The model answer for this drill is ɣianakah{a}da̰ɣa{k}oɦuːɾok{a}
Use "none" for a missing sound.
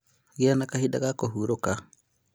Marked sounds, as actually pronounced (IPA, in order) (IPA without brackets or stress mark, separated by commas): i, k, a